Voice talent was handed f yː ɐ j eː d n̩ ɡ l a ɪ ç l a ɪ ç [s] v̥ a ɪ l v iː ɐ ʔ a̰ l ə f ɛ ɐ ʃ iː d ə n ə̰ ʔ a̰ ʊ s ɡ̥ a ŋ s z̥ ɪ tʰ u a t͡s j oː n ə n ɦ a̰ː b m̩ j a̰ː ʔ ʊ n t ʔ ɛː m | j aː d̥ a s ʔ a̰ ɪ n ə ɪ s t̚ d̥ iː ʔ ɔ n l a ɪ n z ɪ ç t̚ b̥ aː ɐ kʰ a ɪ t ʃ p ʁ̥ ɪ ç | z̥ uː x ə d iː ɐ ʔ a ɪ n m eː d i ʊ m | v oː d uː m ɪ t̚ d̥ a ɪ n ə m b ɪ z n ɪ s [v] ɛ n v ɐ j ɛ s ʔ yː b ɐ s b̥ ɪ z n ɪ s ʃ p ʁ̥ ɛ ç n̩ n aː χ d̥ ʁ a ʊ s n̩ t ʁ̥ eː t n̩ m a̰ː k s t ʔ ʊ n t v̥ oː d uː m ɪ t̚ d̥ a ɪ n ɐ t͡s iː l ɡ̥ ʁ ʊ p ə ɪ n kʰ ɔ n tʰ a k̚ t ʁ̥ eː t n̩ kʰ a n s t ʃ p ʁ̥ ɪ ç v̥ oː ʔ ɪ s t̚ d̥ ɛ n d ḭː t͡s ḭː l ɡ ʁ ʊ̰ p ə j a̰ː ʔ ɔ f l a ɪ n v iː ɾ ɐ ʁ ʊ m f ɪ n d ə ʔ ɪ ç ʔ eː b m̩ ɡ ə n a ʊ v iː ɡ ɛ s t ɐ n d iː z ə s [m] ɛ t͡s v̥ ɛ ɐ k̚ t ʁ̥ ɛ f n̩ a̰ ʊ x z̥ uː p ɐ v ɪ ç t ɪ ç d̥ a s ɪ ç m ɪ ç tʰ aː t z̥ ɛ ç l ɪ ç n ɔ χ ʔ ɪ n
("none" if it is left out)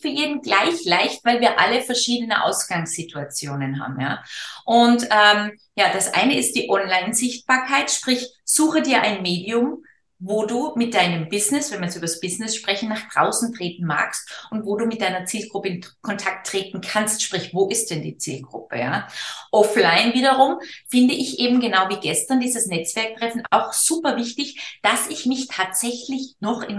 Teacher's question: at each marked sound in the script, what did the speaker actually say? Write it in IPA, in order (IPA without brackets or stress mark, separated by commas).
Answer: t, v, n